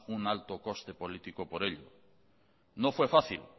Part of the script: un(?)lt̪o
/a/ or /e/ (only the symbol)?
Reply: a